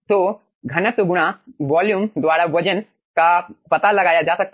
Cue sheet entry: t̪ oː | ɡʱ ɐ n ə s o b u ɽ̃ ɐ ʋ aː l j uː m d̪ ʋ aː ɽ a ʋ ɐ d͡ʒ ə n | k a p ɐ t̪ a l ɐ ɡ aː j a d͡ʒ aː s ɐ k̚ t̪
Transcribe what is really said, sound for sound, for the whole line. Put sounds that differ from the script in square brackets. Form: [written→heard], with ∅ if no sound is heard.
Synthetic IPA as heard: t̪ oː | ɡʱ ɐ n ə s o [b→ɡ] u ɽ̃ [ɐ→a] ʋ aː l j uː m d̪ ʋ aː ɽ a ʋ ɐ d͡ʒ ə n | k a p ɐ t̪ a l ɐ ɡ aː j a d͡ʒ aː s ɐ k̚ t̪

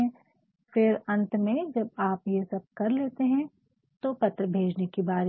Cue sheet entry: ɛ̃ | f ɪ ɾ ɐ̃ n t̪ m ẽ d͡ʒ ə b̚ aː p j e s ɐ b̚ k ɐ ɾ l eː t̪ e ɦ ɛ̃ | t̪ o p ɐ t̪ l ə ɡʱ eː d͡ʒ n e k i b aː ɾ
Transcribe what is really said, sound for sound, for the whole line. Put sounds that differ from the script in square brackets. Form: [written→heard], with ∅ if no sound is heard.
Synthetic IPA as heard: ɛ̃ | f ɪ ɾ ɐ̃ n t̪ m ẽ d͡ʒ [ə→ɐ] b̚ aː p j e s ɐ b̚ k ɐ ɾ l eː t̪ e ɦ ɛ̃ | t̪ o p ɐ t̪ [l→ɾ] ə [ɡʱ→bʱ] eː d͡ʒ n e k i b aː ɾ

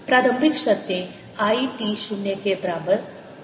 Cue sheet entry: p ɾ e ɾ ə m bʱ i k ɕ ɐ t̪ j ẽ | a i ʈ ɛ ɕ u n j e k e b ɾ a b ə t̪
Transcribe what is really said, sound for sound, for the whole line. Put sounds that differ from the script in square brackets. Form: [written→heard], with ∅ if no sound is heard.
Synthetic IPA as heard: p ɾ [e→a] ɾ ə m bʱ i k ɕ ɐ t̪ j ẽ | a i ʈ [ɛ→i] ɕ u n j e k e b ɾ a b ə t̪

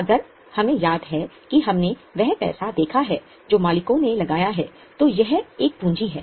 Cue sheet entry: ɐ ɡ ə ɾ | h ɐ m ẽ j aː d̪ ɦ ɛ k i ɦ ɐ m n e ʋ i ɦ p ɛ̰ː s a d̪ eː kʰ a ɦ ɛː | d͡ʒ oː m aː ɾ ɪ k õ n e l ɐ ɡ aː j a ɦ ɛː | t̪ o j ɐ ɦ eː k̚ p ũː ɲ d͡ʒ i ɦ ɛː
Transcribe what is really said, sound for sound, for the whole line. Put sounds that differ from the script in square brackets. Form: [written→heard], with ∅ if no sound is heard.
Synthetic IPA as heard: ɐ ɡ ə ɾ | h ɐ m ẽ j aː d̪ ɦ ɛ k i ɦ ɐ m n e ʋ [i→ɛ] ɦ p ɛ̰ː s a d̪ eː kʰ a ɦ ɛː | d͡ʒ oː m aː [ɾ→l] ɪ k õ n e l ɐ ɡ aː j a ɦ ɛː | t̪ o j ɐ ɦ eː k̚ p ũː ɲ d͡ʒ i ɦ ɛː

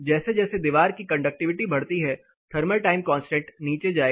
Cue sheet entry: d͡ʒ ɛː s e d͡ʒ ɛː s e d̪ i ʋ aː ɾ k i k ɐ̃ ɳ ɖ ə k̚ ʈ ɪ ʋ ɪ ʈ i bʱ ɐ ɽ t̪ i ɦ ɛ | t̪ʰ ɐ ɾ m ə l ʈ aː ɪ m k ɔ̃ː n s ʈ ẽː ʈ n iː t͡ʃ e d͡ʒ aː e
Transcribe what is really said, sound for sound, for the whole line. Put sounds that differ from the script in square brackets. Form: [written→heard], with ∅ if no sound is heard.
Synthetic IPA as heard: d͡ʒ ɛː s e d͡ʒ ɛː s e d̪ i ʋ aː ɾ k i k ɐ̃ ɳ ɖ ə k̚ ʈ ɪ ʋ ɪ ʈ i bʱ ɐ ɽ t̪ i ɦ ɛ | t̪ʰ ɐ ɾ m ə l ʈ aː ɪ m k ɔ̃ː n s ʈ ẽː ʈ n iː t͡ʃ e d͡ʒ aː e

